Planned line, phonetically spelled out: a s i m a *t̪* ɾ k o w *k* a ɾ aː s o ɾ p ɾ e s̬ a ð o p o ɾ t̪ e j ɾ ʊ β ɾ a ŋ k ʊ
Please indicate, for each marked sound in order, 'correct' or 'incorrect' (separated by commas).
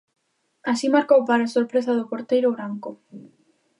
incorrect, incorrect